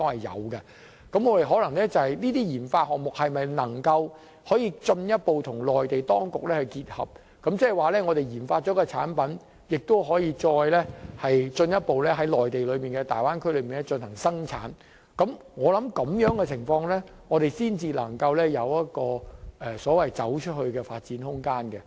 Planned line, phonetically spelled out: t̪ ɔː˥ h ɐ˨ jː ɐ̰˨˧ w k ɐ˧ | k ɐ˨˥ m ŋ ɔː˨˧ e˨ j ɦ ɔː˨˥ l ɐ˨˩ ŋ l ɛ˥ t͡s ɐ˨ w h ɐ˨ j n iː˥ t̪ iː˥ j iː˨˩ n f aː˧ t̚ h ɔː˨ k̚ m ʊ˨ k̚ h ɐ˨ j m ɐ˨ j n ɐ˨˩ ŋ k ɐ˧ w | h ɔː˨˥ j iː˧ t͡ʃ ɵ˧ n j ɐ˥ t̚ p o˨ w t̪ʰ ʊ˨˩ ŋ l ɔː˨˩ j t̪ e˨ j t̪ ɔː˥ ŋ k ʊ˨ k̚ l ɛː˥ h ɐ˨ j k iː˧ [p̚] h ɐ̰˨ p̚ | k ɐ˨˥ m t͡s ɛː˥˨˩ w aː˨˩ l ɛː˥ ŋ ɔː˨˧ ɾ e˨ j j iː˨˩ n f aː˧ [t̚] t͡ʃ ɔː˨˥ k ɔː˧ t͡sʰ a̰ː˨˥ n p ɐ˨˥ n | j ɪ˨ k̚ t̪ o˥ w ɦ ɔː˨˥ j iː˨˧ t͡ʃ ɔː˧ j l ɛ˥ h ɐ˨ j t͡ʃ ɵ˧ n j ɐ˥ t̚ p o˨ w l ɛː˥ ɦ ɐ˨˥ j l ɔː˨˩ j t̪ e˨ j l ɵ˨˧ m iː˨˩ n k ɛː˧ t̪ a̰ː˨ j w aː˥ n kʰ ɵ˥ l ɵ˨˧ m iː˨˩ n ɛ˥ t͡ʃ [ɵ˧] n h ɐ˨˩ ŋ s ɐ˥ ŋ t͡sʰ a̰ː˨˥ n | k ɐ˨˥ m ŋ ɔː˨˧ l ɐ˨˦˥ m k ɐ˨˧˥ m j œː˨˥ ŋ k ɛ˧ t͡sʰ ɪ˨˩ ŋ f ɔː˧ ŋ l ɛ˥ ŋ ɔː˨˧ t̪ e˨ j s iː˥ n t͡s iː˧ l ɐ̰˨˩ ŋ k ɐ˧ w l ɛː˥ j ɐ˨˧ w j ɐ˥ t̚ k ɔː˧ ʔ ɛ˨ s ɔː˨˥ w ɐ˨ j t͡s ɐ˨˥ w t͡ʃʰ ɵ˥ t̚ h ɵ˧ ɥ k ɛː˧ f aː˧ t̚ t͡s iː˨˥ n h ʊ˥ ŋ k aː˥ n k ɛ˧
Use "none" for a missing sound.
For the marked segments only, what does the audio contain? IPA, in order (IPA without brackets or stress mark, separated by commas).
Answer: t̚, t̚, ɵ˧